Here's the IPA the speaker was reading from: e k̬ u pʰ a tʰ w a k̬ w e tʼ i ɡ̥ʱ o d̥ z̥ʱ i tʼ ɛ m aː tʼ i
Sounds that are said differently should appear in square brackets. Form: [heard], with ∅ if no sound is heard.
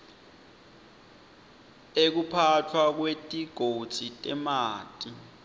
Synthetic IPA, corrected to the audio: e k̬ u pʰ a tʰ w a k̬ w e tʼ i ɡ̥ʱ o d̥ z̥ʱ i tʼ ɛ m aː tʼ i